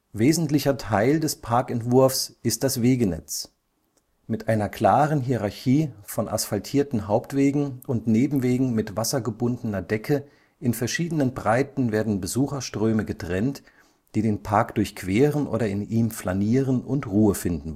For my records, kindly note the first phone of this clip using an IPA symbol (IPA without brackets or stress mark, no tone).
v